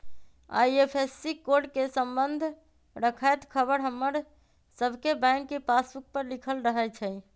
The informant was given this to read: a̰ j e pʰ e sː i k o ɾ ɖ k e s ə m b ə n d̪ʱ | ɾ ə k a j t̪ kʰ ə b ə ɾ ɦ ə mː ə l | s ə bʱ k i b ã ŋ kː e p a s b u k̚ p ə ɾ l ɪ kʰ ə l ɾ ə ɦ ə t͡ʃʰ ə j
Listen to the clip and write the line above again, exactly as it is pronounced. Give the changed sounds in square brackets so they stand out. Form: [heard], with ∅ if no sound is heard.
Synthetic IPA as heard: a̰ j e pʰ e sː i k o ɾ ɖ k e s ə m b ə n d̪ʱ | ɾ ə [kʰ] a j t̪ kʰ ə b ə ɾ ɦ ə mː ə [ɾ] | s ə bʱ k [e] b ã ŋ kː e p a s b u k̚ p ə ɾ l [i] kʰ ə l ɾ ə ɦ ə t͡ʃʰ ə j